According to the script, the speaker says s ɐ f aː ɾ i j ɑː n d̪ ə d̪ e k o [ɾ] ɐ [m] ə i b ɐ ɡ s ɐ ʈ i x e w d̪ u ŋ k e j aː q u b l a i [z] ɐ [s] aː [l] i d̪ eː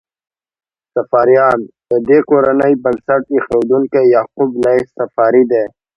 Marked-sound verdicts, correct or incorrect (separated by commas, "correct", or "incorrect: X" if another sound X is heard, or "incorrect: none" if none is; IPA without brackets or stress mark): correct, incorrect: n, incorrect: s, incorrect: f, incorrect: ɾ